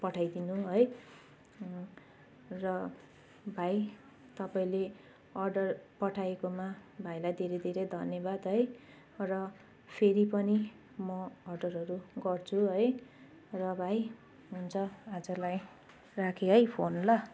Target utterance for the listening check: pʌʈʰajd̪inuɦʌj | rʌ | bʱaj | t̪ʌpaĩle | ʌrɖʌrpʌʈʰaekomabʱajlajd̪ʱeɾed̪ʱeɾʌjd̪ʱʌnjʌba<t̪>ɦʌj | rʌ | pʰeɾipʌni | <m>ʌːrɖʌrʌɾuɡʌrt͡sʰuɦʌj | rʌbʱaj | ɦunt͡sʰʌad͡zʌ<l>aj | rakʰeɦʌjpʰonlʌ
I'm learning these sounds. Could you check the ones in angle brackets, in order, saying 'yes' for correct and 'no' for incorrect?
no, yes, yes

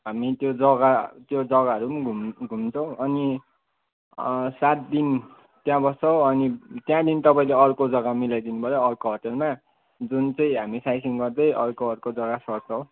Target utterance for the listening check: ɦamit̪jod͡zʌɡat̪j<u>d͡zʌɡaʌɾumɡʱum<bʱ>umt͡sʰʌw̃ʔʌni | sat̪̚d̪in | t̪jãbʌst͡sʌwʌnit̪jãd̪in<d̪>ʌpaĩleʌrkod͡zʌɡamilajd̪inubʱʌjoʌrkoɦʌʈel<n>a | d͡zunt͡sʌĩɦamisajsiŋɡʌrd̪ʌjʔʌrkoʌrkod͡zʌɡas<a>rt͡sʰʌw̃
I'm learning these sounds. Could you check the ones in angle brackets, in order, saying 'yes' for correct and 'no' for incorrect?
no, no, no, no, no

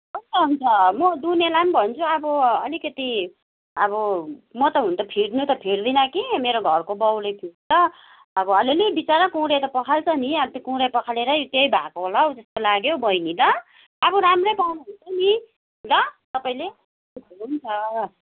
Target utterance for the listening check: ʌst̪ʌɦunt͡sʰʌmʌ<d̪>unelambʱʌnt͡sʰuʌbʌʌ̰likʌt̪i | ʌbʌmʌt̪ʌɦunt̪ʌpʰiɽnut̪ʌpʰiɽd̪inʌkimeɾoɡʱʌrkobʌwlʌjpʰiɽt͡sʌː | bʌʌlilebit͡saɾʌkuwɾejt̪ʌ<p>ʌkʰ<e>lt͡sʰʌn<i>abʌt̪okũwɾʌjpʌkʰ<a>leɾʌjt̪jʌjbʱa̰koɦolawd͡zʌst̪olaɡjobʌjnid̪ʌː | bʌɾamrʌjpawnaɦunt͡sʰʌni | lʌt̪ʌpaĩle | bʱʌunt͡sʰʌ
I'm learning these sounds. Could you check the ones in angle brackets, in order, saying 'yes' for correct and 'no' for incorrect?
yes, yes, no, yes, yes

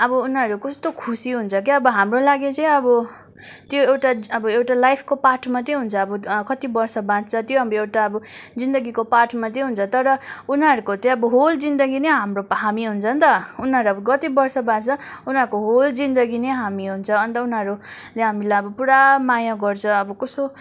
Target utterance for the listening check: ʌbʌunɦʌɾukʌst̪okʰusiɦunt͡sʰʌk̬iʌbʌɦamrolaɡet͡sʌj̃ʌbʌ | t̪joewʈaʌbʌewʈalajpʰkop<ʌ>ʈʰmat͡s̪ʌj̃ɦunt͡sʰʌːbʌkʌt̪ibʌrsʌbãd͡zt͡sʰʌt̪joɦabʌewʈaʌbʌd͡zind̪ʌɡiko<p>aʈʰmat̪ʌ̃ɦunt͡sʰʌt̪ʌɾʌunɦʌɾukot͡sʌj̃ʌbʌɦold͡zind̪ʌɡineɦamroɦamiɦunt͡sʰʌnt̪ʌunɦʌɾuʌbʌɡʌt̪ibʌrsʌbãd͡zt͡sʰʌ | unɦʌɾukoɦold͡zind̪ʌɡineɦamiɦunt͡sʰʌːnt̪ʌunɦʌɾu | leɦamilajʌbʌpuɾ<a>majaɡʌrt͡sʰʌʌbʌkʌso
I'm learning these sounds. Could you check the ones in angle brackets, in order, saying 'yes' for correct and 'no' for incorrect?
no, yes, yes

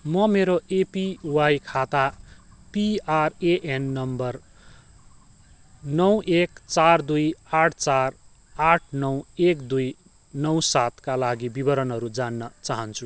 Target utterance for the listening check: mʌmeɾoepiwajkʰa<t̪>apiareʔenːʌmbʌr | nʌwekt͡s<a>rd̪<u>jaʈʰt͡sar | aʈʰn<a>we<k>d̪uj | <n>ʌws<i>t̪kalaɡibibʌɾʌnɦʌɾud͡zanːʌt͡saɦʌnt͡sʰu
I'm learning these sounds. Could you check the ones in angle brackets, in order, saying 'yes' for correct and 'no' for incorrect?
yes, yes, yes, no, yes, yes, no

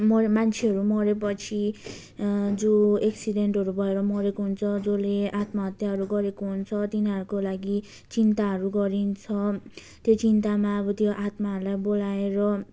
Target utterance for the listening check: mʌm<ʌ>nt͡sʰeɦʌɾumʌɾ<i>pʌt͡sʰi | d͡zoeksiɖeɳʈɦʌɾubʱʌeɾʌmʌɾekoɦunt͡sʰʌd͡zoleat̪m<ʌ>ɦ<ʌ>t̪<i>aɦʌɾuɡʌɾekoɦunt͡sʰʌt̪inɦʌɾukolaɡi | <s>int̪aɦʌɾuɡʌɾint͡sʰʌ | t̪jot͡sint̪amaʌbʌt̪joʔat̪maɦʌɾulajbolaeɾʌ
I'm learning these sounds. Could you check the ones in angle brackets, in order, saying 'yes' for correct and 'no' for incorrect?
no, no, no, yes, no, no

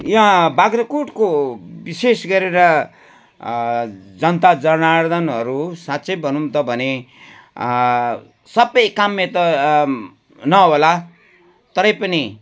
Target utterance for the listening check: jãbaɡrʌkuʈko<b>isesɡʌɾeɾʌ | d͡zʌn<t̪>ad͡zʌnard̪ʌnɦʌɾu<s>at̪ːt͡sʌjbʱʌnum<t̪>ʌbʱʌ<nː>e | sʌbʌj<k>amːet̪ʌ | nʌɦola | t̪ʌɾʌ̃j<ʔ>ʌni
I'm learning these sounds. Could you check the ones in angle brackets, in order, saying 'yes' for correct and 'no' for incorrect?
yes, yes, yes, yes, no, yes, no

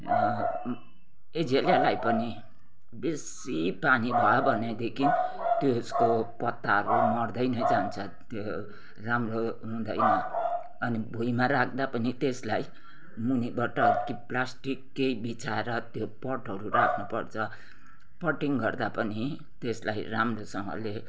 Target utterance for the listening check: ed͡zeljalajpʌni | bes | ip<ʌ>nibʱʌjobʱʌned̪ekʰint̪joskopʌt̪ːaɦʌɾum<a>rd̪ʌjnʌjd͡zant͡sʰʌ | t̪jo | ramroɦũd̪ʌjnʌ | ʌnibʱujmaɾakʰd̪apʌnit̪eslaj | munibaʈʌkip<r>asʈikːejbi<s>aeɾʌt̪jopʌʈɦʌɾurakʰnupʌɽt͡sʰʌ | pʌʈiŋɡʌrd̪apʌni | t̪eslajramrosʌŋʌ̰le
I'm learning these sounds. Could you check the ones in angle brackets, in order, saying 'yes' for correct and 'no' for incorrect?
no, no, no, no

